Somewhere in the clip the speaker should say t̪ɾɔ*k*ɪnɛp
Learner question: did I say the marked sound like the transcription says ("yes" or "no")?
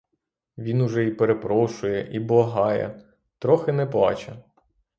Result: no